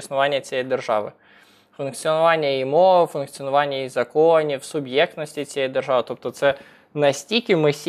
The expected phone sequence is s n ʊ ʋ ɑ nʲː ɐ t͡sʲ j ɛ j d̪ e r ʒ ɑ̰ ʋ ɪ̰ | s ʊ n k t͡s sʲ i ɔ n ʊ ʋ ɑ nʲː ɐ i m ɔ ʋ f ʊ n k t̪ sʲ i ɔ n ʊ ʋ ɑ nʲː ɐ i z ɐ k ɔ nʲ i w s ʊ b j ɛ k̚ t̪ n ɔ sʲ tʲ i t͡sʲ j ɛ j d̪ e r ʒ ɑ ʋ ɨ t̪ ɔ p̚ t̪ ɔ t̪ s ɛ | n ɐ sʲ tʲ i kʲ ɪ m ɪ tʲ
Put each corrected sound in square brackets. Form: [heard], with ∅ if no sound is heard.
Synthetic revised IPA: s n ʊ ʋ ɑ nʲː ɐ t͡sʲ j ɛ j d̪ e r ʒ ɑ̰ ʋ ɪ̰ | [f] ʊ n k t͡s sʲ i ɔ n ʊ ʋ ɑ nʲː ɐ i m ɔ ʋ f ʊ n k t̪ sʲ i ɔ n ʊ ʋ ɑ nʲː ɐ i z ɐ k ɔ nʲ i w s ʊ b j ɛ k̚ t̪ n ɔ sʲ tʲ i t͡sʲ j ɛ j d̪ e r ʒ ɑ ʋ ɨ t̪ ɔ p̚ t̪ ɔ t̪ s ɛ | n ɐ sʲ tʲ i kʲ ɪ m ɪ [sʲ]